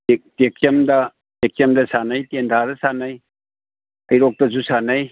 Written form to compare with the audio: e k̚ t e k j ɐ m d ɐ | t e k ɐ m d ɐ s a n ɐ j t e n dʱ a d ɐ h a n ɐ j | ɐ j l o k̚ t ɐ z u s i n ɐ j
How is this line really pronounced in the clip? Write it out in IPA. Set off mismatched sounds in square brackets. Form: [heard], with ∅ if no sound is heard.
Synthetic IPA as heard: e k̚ t e k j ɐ m d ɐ | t e k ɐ m d ɐ s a n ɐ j t e n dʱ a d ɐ [s] a n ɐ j | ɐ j [ɾ] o k̚ t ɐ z u s [a] n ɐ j